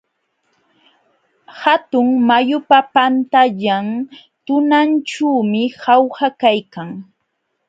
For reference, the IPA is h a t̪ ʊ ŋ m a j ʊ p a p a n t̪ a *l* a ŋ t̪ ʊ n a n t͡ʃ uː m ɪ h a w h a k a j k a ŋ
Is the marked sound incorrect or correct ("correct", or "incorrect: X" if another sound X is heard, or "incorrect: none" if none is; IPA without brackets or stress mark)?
incorrect: ʎ